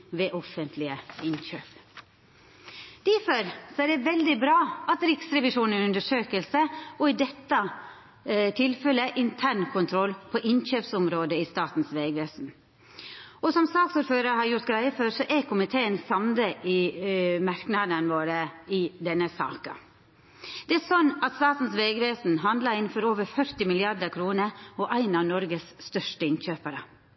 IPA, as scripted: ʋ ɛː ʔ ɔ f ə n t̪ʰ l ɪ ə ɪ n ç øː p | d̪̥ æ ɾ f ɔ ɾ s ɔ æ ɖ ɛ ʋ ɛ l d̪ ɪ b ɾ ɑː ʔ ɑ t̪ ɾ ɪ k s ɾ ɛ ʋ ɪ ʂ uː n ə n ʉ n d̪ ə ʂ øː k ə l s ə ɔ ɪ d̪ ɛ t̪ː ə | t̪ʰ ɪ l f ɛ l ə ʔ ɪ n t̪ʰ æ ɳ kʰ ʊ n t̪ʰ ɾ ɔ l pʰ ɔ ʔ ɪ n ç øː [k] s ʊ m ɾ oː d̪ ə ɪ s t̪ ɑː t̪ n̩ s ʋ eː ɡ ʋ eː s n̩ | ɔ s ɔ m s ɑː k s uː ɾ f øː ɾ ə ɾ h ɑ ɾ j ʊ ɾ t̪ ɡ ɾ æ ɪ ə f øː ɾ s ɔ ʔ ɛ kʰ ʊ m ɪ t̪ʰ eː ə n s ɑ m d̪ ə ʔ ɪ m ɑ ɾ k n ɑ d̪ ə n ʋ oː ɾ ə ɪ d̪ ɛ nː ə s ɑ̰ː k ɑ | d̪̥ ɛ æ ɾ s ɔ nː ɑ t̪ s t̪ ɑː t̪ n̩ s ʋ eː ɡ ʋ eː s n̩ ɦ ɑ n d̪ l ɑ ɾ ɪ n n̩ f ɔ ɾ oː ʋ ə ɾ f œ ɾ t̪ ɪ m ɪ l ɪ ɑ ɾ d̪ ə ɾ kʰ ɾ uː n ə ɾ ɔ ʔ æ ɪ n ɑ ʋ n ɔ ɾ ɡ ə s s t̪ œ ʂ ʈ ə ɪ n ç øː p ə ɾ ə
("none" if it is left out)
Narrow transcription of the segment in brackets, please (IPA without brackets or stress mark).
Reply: p